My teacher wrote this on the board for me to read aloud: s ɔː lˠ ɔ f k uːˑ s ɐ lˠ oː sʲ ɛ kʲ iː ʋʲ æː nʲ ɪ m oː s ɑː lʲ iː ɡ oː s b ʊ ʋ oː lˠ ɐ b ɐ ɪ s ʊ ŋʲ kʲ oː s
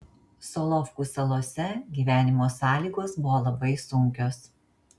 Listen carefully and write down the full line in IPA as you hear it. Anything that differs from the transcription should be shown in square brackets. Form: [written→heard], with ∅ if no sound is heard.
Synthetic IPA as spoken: s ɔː lˠ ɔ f k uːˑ s ɐ lˠ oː sʲ ɛ [kʲ→ɡʲ] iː ʋʲ æː nʲ ɪ m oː s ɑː lʲ iː ɡ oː s b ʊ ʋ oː lˠ ɐ b ɐ ɪ s ʊ ŋʲ kʲ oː s